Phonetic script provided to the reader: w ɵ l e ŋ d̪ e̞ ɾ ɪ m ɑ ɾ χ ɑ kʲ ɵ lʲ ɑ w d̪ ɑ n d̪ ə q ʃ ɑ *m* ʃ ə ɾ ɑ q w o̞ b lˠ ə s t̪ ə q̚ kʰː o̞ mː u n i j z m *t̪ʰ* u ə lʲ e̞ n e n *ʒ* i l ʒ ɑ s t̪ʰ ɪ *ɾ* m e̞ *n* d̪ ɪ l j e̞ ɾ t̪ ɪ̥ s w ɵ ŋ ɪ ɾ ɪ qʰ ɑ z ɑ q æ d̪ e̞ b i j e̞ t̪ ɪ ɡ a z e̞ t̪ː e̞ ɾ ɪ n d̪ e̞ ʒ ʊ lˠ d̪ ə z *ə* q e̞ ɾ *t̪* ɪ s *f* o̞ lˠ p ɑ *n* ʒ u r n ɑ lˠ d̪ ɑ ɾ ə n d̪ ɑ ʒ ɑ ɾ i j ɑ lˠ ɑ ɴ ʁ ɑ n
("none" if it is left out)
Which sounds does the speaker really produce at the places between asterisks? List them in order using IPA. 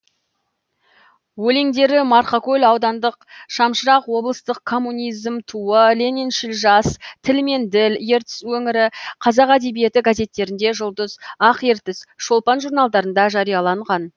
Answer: m, t̪ʰ, ʃ, l, n, ɑ, t̪, ʃ, n

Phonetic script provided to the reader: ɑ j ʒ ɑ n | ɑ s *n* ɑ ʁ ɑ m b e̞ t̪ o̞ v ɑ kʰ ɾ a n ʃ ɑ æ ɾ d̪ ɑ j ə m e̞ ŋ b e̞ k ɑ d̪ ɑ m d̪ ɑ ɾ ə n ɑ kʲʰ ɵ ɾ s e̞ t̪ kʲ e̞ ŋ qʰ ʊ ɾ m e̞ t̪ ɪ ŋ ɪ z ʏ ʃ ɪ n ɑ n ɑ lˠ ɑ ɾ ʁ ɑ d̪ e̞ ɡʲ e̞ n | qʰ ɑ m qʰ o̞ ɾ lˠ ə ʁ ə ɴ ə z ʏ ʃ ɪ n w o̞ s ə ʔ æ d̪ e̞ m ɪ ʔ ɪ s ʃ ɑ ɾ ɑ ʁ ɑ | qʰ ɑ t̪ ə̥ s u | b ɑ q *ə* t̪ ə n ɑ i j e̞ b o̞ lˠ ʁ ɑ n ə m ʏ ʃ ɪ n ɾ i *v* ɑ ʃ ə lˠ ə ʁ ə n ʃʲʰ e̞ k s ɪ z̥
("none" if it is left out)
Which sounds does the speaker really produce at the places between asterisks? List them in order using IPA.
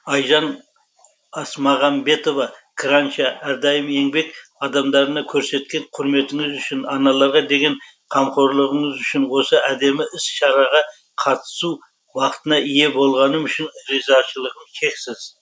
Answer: m, ə, z

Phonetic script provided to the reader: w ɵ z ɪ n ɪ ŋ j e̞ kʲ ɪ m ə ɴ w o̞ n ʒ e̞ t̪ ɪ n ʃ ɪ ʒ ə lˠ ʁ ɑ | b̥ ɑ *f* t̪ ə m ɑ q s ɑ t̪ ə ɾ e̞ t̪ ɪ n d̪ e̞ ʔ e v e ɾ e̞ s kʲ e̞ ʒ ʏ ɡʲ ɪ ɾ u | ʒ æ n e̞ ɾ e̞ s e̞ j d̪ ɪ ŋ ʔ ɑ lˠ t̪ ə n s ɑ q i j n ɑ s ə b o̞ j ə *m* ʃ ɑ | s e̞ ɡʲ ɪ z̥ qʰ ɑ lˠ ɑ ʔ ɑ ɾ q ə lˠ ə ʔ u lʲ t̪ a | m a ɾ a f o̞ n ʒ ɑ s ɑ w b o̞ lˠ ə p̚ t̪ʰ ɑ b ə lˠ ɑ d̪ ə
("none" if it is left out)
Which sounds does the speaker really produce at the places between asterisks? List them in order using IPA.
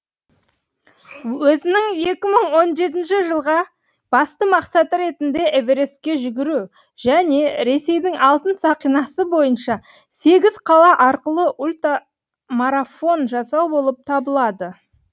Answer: s, n

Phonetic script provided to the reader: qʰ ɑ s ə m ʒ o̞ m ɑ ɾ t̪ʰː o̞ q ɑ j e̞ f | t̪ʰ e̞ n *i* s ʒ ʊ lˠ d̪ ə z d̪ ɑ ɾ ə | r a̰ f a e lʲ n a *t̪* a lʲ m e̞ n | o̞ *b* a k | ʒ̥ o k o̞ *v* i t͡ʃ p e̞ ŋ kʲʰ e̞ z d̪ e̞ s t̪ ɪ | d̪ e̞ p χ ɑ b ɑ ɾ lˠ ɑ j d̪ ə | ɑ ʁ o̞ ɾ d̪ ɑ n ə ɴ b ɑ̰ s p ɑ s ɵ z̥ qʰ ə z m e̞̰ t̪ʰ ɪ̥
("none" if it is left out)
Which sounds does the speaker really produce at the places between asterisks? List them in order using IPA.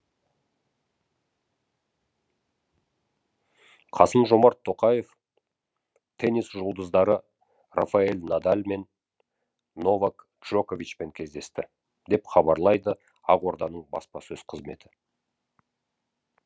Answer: i, d̪, v, v

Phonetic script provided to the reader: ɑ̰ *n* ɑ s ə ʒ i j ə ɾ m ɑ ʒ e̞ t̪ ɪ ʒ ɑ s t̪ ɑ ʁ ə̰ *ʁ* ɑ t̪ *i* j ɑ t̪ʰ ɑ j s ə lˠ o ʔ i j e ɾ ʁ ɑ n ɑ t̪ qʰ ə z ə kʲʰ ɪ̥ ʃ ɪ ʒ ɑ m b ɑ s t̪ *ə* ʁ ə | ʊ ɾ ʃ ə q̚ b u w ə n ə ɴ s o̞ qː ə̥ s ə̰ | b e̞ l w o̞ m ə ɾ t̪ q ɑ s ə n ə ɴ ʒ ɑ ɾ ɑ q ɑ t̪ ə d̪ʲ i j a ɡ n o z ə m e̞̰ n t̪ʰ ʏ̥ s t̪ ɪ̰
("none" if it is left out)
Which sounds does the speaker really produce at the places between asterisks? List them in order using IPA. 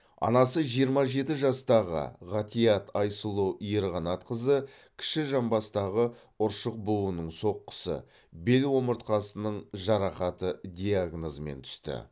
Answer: n, ʁ, i, ɑ

